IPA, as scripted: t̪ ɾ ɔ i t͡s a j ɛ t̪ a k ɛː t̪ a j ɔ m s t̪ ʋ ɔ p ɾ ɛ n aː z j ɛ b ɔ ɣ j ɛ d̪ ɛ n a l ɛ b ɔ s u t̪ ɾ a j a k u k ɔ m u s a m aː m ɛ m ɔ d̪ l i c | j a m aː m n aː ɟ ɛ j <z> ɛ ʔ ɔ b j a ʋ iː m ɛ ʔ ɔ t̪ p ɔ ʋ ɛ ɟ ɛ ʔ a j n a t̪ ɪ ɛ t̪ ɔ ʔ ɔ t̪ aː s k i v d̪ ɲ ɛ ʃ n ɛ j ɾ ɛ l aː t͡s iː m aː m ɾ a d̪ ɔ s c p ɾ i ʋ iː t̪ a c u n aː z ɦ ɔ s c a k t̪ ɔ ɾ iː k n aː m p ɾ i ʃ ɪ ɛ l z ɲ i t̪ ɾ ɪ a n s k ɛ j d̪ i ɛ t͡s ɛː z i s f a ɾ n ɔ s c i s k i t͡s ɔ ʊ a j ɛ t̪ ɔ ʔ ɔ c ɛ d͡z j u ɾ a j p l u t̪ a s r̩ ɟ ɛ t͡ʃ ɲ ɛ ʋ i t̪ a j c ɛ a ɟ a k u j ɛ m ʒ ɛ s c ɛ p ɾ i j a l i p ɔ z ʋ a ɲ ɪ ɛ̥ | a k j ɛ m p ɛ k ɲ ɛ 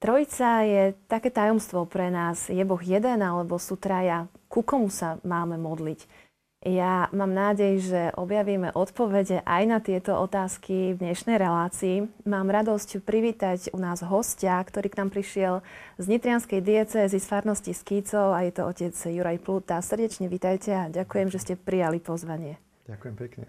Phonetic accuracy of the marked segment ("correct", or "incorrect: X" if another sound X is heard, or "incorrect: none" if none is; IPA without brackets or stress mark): incorrect: ʒ